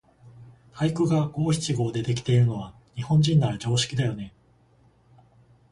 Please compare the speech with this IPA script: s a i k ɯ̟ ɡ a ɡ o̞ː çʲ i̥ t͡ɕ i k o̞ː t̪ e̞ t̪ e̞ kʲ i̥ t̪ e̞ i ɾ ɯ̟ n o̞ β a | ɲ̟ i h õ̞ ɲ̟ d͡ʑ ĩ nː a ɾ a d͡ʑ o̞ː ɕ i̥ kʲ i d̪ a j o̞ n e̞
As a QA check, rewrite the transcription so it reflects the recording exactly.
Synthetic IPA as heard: h a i k ɯ̟ ɡ a ɡ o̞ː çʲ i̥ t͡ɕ i ɡ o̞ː d̪ e̞ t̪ e̞ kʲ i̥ t̪ e̞ i ɾ ɯ̟ n o̞ β a | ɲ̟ i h õ̞ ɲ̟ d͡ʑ ĩ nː a ɾ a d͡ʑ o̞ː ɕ i̥ kʲ i d̪ a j o̞ n e̞